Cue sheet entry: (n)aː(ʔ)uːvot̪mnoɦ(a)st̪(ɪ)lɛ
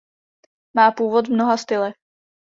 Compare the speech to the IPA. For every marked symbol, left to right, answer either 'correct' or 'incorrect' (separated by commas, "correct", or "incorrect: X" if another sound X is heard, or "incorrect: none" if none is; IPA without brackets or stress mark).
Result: incorrect: m, incorrect: p, correct, correct